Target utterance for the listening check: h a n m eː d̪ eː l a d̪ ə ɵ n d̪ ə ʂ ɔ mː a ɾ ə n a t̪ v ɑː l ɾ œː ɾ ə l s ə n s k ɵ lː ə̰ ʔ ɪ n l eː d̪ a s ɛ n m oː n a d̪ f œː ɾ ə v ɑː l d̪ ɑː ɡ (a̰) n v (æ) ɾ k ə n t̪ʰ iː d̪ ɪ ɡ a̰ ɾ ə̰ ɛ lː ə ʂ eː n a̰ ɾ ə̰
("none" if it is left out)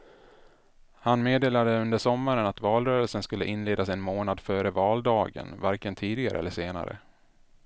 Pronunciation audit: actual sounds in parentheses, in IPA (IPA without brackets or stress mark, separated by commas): ə̰, a